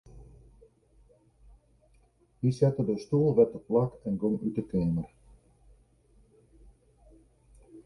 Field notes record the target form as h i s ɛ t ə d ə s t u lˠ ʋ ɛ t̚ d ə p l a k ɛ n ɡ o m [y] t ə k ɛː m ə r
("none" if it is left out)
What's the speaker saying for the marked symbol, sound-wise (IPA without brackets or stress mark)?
y